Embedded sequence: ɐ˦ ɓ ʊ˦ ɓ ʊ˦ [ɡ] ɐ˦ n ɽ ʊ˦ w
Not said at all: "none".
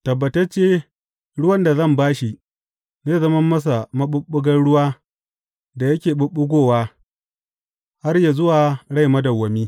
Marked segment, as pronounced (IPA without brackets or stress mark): ɡ